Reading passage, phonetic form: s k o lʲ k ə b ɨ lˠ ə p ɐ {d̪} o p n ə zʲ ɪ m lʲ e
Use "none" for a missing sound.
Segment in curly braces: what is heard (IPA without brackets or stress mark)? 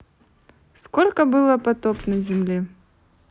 t̪